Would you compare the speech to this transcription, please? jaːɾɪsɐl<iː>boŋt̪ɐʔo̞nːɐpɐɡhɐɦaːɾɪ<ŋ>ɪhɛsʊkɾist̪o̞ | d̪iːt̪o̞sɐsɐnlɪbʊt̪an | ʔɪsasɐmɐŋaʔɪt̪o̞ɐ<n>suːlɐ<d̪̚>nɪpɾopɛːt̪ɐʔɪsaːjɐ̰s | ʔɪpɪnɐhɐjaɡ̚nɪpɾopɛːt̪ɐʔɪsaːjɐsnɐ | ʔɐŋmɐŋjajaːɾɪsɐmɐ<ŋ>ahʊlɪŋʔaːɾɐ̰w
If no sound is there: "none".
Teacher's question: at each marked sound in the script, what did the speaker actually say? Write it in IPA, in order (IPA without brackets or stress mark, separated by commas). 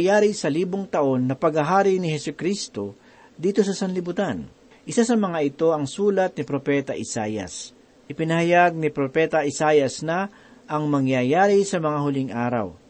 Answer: iː, n, ŋ, t̪̚, ŋ